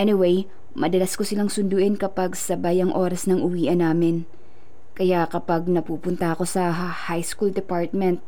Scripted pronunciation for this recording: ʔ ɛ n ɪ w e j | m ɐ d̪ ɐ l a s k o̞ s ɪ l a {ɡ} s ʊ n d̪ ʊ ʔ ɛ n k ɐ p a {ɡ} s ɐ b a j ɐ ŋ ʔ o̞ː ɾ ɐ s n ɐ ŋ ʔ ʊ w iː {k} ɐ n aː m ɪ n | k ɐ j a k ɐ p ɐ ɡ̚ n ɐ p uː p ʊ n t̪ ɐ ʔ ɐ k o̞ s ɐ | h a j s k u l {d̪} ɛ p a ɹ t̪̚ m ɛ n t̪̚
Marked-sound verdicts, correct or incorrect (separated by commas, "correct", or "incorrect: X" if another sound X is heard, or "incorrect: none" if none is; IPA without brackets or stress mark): incorrect: ŋ, correct, incorrect: ʔ, correct